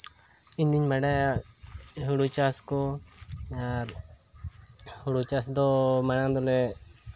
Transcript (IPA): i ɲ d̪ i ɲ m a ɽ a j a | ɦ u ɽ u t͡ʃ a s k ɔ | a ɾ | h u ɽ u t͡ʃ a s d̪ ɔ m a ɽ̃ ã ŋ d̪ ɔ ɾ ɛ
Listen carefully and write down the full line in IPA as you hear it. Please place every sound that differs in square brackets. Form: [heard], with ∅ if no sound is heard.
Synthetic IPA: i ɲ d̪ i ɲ m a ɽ a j a | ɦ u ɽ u t͡ʃ a s k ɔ | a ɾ | h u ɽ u t͡ʃ a s d̪ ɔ m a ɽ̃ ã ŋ d̪ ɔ [l] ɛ